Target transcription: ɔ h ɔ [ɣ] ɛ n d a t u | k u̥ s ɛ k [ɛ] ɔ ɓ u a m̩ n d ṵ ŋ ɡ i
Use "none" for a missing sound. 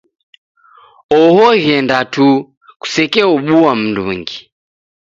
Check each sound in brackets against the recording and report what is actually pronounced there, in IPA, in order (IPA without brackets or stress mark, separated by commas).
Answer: ɣ, ɛ